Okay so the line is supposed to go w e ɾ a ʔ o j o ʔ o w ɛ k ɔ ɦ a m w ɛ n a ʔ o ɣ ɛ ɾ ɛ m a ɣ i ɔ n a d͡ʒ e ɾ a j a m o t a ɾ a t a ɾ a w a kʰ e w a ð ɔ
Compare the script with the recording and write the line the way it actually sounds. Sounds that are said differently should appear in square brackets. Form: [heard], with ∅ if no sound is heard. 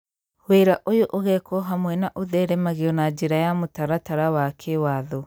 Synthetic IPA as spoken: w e ɾ a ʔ o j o ʔ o [ɣ] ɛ k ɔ ɦ a m w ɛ n a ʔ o [ð] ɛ ɾ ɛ m a ɣ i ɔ n a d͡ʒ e ɾ a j a m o t a ɾ a t a ɾ a w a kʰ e w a ð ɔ